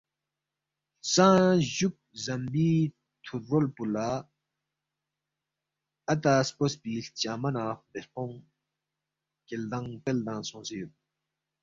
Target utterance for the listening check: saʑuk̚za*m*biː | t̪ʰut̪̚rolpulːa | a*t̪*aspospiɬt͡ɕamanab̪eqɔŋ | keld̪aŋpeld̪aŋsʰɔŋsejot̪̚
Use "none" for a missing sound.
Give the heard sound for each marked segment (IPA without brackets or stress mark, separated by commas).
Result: m, t̪